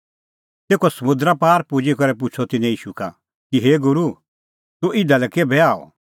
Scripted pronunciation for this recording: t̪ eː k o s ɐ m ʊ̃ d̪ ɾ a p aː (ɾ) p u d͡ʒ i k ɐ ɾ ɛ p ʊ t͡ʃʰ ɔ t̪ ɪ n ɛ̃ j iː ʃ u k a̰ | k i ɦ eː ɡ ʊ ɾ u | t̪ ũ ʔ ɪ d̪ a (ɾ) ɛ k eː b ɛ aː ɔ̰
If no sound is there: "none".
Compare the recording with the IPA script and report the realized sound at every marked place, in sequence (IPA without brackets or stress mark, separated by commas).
ɾ, l